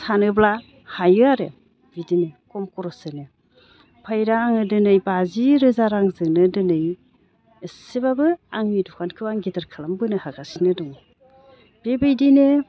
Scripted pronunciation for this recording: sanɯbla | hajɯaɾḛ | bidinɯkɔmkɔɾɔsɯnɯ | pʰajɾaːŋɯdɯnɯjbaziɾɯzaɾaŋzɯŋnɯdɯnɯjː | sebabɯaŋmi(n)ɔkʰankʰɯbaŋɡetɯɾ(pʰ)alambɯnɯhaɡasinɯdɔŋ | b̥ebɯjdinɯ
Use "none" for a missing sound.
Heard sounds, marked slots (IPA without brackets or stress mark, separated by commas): d, kʰ